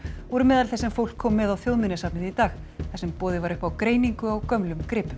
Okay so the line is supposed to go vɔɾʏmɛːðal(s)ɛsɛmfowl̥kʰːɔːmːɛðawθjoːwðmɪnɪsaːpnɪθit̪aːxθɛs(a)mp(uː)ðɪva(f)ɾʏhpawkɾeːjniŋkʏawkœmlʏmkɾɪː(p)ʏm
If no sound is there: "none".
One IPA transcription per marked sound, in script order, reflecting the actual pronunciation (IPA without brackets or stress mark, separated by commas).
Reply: θ, ɛ, ɔː, none, p